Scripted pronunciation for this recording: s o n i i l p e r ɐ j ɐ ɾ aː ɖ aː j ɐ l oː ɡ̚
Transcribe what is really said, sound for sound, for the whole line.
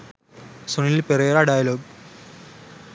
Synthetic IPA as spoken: s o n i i l p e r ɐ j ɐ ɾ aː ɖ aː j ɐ l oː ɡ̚